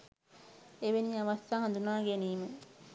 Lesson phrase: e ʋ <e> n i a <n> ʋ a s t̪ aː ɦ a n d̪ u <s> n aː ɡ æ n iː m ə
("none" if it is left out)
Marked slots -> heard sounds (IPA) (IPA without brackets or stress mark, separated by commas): e, none, none